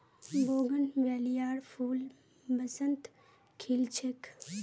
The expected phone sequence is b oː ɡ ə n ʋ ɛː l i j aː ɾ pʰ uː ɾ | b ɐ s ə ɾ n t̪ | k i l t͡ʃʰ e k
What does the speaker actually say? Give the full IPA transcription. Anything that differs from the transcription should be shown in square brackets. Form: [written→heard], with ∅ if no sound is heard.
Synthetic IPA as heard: b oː ɡ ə n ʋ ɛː l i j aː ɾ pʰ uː [ɾ→l] | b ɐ s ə [ɾ→∅] n t̪ | [k→kʰ] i l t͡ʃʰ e k

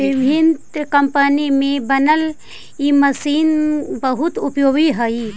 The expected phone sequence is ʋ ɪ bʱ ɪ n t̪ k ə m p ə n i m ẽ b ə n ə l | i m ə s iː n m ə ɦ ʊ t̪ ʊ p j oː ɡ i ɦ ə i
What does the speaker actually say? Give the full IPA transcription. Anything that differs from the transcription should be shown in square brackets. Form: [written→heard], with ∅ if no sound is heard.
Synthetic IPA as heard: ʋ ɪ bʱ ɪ n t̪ k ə m p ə n i m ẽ b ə n ə l | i m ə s iː n [m→b] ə ɦ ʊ t̪ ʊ p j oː ɡ i ɦ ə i

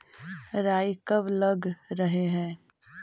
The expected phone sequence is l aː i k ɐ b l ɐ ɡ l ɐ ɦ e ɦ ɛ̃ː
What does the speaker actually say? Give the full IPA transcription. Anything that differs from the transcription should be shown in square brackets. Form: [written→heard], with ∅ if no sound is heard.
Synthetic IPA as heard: [l→ɾ] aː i k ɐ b l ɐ ɡ [l→ɾ] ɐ ɦ e ɦ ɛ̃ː

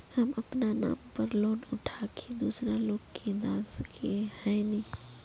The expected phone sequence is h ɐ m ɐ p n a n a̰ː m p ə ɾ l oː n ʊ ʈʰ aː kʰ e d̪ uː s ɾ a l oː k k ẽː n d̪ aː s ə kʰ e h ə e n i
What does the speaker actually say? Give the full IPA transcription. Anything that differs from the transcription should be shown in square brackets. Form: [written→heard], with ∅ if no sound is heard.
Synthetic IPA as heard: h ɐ m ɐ p n a n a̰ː m p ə ɾ l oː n ʊ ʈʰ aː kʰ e d̪ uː s ɾ a l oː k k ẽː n d̪ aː s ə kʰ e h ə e n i

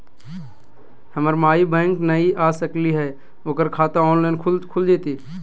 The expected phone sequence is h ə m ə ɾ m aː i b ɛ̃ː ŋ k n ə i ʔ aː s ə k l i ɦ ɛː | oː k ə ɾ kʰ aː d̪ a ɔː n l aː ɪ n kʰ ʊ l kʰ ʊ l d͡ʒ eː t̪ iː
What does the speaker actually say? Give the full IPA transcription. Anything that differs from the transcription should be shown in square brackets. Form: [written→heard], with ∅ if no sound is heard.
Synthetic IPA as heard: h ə m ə ɾ m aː i b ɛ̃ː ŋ k n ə i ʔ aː s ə k l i ɦ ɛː | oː k ə ɾ kʰ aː [d̪→t̪] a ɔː n l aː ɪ n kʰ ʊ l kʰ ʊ l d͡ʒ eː t̪ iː

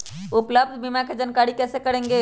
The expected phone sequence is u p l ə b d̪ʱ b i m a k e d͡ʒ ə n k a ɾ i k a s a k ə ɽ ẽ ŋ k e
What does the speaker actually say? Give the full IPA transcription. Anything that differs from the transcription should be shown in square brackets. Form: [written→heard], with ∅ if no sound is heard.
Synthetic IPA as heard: u p l ə b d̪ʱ b i m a k e d͡ʒ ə n k a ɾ i k [a→ɛ] s [a→e] k ə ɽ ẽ ŋ [k→ɡ] e

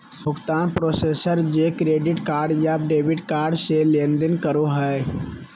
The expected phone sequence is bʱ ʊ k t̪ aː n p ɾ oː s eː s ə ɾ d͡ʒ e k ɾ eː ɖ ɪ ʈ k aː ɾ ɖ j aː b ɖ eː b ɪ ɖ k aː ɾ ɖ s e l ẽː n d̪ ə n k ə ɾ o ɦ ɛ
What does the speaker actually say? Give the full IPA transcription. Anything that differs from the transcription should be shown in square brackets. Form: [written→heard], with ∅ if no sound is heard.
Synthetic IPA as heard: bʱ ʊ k t̪ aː n p ɾ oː s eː s ə ɾ d͡ʒ e k ɾ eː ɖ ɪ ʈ k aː ɾ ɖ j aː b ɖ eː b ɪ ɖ k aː ɾ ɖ s e l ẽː n d̪ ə n k ə ɾ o ɦ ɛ

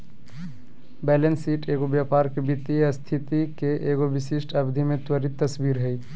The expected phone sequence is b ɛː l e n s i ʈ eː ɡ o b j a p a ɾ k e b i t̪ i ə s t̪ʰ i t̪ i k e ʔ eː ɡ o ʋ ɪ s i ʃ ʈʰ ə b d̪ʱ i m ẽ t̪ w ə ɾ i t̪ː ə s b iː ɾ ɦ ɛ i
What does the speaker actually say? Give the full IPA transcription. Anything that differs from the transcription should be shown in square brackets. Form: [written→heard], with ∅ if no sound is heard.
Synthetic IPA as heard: b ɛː l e n s i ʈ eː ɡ o b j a p a ɾ k e b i t̪ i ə s t̪ʰ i t̪ i k e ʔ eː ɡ o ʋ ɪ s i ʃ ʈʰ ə b d̪ʱ i m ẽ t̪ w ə ɾ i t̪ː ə s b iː ɾ ɦ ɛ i

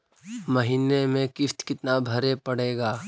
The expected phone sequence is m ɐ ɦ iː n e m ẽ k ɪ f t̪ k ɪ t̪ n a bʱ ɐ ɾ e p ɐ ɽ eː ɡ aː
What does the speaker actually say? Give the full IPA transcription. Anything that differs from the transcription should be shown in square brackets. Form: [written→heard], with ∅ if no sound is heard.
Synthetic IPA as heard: m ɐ ɦ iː n e m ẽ k ɪ f t̪ k ɪ t̪ n a bʱ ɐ ɾ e p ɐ ɽ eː ɡ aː

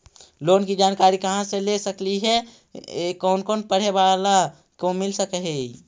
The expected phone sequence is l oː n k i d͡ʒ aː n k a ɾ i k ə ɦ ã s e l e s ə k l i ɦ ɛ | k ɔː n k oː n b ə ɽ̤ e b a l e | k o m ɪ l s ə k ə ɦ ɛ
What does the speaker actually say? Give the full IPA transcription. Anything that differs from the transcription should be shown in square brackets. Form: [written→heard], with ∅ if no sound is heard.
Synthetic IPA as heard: l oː n k i d͡ʒ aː n k a ɾ i k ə ɦ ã s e l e s ə k l i ɦ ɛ | k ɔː n k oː n [b→p] ə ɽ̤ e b a l [e→a] | k o m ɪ l s ə k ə ɦ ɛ

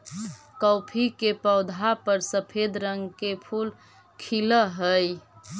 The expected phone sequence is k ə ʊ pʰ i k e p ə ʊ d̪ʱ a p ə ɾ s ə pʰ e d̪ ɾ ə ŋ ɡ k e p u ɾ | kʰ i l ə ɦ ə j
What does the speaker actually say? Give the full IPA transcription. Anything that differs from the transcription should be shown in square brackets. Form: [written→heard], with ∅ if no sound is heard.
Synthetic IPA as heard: k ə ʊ pʰ i k e p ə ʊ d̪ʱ a p ə ɾ s ə pʰ e d̪ ɾ ə ŋ ɡ k e [p→pʰ] u [ɾ→l] | kʰ i l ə ɦ ə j

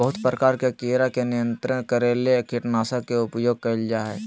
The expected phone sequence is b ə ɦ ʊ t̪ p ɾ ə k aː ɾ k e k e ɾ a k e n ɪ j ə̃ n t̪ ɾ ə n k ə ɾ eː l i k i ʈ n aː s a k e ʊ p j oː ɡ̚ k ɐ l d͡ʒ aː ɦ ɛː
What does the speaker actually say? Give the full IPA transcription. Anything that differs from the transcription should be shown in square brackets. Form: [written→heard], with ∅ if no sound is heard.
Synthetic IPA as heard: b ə ɦ ʊ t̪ p ɾ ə k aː ɾ k e k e ɾ a k e n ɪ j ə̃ n t̪ ɾ ə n k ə ɾ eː l [i→e] k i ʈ n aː s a k e ʊ p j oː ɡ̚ k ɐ l d͡ʒ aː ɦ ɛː

